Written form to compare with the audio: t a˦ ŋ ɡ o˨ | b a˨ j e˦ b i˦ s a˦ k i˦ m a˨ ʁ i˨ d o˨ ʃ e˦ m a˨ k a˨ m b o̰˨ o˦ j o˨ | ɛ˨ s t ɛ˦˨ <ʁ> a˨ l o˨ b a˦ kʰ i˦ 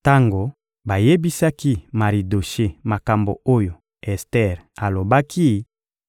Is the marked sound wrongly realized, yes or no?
no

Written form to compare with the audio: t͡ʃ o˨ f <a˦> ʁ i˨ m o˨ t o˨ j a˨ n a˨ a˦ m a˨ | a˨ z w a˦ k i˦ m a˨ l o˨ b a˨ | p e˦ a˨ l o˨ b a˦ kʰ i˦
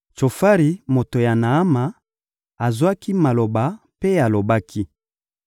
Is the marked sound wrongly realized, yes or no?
no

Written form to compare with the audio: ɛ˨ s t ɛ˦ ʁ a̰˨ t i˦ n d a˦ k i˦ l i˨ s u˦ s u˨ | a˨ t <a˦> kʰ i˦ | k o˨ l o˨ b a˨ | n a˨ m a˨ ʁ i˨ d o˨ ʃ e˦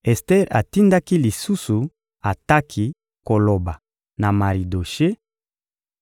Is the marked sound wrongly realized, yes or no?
no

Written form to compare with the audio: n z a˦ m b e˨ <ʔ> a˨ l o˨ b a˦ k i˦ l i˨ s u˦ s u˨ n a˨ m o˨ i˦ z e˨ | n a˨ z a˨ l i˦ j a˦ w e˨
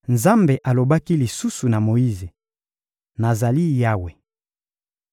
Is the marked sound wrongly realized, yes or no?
no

